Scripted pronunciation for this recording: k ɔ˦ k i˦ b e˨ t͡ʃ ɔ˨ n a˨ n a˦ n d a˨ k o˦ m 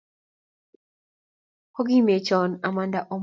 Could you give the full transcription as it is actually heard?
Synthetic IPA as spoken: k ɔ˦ ɡ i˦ m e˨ t͡ʃ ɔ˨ n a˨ m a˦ n d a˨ ʔ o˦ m